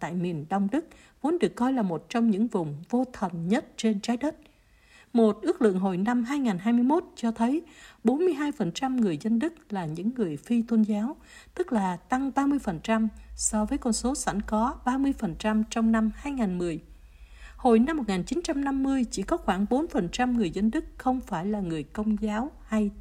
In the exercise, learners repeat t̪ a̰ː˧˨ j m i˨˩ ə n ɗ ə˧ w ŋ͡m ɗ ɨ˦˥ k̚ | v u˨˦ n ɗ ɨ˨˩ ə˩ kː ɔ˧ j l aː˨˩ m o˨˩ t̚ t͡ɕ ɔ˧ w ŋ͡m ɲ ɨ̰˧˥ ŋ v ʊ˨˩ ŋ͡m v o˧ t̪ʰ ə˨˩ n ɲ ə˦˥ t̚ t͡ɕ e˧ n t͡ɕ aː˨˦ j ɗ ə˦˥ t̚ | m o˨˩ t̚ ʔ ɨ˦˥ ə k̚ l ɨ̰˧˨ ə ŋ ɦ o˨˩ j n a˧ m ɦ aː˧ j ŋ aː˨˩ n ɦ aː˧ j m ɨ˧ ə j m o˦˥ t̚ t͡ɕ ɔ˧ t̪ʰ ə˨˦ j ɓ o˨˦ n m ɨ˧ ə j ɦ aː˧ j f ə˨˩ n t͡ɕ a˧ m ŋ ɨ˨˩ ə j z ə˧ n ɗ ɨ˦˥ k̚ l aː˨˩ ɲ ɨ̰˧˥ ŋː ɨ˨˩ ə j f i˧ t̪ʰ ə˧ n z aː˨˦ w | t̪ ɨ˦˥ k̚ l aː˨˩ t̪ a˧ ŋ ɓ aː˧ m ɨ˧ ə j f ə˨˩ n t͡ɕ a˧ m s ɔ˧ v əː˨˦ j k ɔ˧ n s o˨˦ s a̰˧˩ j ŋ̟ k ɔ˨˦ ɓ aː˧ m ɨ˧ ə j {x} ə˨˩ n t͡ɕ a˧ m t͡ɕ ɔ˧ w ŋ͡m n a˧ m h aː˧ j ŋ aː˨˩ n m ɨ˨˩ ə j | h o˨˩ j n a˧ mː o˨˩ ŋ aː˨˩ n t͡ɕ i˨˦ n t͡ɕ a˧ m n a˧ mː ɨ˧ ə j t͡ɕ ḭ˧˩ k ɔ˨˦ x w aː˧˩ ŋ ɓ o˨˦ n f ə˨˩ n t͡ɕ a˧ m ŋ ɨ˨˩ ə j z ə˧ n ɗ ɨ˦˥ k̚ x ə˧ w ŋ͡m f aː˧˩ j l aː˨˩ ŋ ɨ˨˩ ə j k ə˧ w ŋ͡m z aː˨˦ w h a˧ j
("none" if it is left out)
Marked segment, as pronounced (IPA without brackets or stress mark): f